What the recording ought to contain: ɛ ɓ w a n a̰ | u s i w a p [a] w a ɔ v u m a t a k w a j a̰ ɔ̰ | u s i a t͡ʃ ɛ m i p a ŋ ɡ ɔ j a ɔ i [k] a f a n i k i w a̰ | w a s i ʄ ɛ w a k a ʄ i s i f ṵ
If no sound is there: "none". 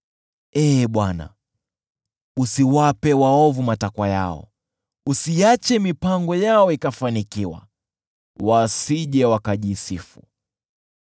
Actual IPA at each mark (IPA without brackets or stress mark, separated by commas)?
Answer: ɛ, k